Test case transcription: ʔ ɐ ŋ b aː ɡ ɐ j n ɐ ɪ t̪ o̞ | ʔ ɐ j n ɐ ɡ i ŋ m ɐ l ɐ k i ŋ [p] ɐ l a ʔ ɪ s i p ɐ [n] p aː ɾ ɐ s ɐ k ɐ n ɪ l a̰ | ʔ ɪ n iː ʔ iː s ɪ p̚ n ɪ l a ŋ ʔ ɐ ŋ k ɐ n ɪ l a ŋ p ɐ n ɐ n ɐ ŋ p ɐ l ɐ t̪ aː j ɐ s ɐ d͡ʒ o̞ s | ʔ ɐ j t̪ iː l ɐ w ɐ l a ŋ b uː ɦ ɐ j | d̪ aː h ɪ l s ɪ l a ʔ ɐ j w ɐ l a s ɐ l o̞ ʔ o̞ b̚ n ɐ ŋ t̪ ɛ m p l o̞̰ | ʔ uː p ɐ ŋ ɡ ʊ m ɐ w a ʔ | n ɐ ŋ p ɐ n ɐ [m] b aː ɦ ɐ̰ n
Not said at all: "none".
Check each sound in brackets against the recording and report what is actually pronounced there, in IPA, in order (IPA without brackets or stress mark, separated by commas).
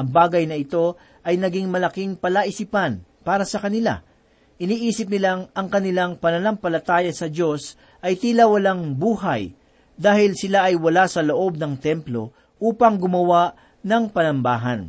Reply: p, n, m